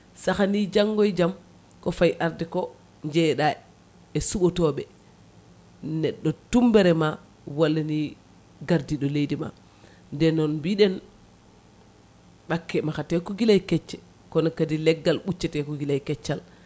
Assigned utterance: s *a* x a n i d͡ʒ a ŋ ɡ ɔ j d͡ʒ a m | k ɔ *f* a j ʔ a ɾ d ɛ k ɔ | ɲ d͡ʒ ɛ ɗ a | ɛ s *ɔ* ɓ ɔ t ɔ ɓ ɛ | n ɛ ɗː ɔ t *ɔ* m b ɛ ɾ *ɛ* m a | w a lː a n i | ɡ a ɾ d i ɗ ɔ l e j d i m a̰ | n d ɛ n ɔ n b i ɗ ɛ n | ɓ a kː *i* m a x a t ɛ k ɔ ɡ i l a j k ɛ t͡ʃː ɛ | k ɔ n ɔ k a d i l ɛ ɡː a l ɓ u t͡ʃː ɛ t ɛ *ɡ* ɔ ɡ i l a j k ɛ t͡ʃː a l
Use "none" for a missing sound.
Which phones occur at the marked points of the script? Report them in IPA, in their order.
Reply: a, f, u, u, ɛ, ɛ, k

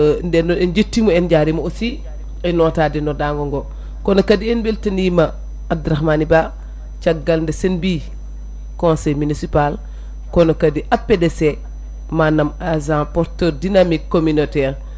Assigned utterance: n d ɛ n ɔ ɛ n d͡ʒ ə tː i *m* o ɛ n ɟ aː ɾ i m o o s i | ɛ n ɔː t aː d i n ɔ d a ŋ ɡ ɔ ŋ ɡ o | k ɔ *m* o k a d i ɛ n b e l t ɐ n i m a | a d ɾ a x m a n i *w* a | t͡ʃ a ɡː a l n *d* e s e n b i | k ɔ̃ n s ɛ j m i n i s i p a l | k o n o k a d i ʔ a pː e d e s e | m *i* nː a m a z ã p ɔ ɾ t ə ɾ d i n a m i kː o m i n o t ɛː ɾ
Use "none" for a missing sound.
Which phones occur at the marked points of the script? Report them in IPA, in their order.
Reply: m, n, b, d, a

